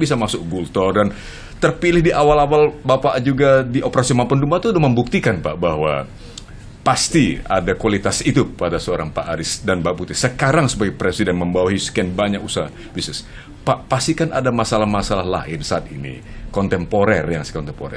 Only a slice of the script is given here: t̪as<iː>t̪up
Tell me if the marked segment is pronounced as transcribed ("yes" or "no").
no